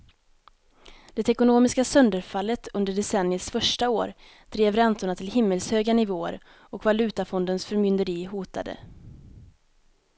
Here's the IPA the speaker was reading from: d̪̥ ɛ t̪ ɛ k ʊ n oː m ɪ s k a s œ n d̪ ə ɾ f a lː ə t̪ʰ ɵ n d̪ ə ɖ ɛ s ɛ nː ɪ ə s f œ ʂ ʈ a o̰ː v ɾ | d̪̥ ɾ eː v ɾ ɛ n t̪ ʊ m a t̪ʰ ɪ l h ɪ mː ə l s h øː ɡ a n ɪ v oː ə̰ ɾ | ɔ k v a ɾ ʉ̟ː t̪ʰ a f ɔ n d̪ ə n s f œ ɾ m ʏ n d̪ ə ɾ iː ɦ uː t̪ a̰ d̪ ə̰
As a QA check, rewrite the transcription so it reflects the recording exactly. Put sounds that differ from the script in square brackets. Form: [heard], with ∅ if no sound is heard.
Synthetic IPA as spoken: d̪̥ ɛ t̪ ɛ k ʊ n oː m ɪ s k a s œ n d̪ ə ɾ f a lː ə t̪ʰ ɵ n d̪ ə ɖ ɛ s ɛ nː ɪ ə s f œ ʂ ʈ a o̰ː [∅] ɾ | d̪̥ ɾ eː v ɾ ɛ n t̪ ʊ [ɳ] a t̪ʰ ɪ l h ɪ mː ə l s h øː ɡ a n ɪ v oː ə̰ ɾ | ɔ k v a [l] ʉ̟ː [t̪] a f ɔ n d̪ ə n s f œ ɾ m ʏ n d̪ ə ɾ iː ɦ uː t̪ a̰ d̪ ə̰